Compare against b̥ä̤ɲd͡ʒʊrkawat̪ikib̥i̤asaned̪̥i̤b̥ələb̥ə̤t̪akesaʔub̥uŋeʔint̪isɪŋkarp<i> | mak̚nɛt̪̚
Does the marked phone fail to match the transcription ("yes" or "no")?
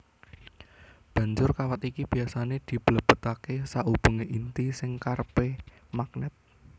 yes